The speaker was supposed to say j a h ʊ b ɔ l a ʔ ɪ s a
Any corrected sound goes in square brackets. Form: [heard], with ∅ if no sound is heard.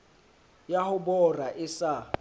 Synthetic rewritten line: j a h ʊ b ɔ [r] a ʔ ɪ s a